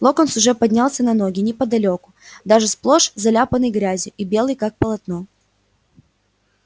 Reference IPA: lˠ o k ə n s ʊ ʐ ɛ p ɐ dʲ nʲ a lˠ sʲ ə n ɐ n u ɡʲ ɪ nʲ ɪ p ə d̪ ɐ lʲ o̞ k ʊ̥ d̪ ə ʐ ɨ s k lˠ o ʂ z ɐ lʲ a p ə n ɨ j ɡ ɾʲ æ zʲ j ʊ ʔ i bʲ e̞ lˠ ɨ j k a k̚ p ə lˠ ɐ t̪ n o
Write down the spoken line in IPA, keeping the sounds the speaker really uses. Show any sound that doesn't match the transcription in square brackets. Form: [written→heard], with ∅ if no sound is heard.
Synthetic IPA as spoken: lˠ o k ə n s ʊ ʐ ɛ p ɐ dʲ nʲ a lˠ sʲ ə n ɐ n [u→o] ɡʲ ɪ nʲ ɪ p ə d̪ ɐ lʲ o̞ k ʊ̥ d̪ [ə→a] ʐ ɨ s [k→p] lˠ o ʂ z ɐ lʲ a p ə n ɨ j ɡ ɾʲ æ zʲ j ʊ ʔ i bʲ e̞ lˠ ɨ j k a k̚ p ə lˠ ɐ t̪ n o